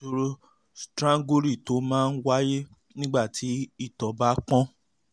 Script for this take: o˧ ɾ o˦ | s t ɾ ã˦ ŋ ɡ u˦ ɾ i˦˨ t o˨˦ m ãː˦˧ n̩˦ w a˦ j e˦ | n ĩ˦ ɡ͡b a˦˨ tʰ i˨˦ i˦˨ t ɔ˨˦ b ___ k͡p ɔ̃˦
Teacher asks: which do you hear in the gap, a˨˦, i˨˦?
a˨˦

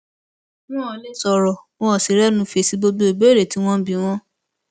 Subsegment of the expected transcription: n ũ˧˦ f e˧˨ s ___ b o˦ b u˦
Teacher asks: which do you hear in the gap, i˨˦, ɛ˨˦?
i˨˦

